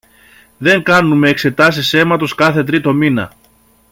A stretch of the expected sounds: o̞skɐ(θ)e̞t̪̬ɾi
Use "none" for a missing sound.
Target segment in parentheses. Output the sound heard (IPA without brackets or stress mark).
θ